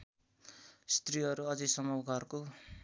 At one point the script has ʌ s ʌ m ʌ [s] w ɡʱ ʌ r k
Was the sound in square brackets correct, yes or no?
no